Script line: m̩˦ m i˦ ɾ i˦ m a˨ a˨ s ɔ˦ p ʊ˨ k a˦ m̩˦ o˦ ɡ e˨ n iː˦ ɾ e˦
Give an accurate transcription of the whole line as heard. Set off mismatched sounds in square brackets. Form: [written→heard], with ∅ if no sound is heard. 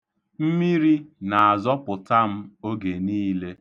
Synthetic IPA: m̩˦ m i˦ ɾ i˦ [m→n] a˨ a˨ [s→z] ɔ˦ p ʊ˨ [k→t] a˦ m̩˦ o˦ ɡ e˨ n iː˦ [ɾ→l] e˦